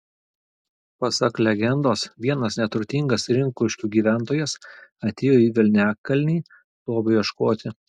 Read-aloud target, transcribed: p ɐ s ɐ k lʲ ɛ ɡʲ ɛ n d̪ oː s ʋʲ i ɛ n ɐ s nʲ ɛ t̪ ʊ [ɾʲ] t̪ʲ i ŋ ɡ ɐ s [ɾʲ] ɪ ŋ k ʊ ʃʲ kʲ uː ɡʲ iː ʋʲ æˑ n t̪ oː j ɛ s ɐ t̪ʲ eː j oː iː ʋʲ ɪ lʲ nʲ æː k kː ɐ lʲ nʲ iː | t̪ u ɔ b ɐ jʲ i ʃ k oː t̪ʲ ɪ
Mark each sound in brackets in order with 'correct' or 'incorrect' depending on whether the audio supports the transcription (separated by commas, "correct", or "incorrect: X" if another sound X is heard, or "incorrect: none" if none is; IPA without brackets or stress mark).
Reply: correct, correct